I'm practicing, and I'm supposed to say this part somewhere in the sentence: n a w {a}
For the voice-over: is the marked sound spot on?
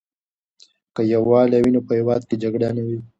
no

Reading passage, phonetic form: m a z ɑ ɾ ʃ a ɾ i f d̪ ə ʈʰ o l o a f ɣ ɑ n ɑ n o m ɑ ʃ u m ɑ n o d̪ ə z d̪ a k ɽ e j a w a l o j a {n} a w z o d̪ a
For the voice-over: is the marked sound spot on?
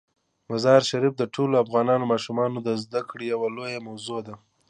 no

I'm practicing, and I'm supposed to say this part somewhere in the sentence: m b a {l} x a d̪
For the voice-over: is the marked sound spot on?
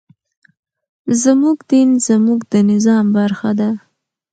no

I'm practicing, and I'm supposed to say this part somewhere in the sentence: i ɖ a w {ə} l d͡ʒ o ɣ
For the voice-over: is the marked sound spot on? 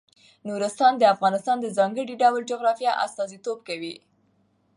yes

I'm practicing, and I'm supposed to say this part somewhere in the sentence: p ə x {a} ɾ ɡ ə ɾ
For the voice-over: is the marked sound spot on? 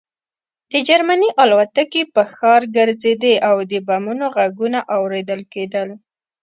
no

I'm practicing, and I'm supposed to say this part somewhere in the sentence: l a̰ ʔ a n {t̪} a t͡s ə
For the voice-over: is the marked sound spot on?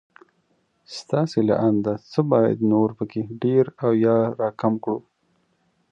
no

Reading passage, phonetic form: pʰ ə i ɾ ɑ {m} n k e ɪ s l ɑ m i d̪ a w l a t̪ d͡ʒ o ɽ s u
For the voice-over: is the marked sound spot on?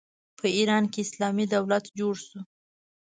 no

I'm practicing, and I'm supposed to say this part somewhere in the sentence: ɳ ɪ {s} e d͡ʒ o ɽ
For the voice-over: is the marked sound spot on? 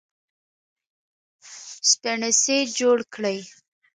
yes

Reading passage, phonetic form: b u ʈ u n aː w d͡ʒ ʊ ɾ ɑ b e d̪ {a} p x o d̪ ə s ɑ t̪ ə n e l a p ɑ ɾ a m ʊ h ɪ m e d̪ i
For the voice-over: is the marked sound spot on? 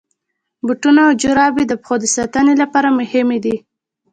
no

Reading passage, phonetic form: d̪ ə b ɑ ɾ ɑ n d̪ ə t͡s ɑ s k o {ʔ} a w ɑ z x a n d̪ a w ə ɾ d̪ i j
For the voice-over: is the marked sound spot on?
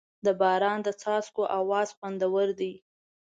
yes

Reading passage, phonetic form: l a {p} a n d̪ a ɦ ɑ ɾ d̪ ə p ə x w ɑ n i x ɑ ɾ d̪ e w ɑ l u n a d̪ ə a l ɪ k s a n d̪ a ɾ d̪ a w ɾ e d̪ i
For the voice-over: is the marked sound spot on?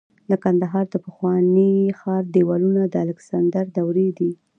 no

